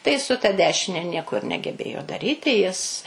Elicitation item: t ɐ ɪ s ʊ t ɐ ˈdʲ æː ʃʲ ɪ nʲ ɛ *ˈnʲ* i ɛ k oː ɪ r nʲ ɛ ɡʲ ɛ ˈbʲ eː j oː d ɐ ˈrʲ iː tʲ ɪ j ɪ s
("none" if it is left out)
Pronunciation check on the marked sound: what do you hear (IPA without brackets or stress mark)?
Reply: nʲ